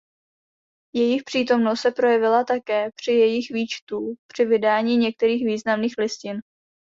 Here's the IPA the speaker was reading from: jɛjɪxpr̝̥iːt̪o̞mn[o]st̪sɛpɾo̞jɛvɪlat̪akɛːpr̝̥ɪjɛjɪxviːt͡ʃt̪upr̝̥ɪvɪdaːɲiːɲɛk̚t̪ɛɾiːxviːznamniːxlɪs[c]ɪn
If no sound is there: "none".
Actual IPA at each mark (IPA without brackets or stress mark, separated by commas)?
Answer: o, c